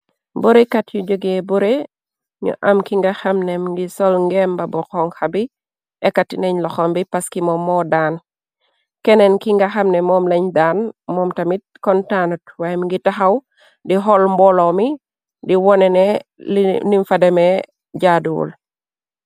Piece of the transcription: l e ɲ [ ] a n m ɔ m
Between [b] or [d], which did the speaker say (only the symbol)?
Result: d